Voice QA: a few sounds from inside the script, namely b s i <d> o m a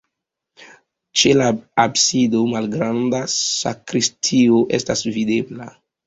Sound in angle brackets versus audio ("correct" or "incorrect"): correct